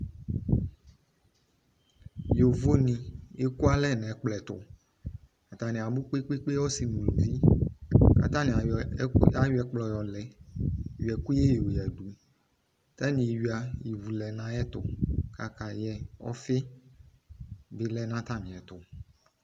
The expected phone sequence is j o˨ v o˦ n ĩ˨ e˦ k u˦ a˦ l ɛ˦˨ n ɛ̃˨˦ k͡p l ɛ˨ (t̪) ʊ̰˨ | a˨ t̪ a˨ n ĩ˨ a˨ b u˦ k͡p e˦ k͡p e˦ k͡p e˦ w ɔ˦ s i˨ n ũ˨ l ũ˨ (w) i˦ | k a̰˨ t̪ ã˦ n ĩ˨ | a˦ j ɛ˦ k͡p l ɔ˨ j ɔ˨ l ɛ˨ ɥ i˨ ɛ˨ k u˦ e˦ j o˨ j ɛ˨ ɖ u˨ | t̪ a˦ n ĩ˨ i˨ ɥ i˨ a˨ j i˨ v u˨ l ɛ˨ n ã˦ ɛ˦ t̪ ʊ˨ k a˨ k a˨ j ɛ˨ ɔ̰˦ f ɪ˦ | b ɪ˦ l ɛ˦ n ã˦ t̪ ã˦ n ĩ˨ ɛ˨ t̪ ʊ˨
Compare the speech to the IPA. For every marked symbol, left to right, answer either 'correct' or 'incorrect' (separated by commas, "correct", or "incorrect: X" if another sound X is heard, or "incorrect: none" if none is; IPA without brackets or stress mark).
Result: correct, incorrect: v